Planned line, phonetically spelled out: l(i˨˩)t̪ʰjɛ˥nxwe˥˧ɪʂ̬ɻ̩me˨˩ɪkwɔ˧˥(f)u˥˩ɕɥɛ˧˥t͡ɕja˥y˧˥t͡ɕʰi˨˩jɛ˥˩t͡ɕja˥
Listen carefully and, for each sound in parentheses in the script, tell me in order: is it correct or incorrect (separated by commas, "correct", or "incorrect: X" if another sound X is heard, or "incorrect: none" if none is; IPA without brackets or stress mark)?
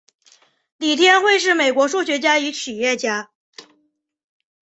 correct, incorrect: ʂ